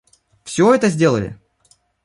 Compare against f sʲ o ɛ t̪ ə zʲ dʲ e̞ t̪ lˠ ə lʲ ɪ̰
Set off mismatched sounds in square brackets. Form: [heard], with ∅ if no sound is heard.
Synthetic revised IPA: f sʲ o ɛ t̪ ə zʲ dʲ e̞ [∅] lˠ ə lʲ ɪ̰